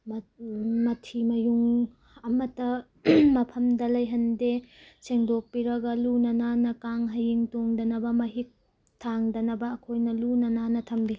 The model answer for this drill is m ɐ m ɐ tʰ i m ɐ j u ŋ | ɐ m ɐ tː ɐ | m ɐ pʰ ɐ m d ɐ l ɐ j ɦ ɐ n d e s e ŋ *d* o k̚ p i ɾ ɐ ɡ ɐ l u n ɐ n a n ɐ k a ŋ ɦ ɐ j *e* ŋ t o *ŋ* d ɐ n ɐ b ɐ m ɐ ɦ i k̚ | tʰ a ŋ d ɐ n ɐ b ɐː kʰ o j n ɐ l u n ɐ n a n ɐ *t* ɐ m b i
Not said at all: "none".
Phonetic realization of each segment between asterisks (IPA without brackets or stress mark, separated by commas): d, i, ŋ, tʰ